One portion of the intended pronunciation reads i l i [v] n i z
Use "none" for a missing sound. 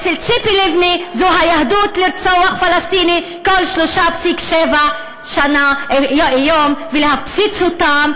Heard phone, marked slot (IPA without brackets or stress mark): v